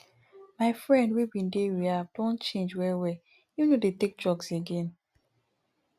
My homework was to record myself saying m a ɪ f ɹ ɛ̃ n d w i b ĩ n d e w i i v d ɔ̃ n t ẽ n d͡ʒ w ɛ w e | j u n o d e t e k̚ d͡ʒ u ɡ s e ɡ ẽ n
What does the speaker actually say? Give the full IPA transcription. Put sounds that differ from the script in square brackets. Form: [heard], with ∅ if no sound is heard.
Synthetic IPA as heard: m a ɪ f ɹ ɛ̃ n d w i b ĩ n d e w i [a] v d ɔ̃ n [t͡ʃ] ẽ n d͡ʒ w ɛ w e | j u n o d e t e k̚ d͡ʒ [ɔ] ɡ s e ɡ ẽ n